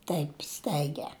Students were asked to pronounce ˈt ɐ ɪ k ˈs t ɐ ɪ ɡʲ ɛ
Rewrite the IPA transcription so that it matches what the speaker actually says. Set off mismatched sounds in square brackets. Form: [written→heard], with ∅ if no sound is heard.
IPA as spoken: ˈt ɐ ɪ [k→p] ˈs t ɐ ɪ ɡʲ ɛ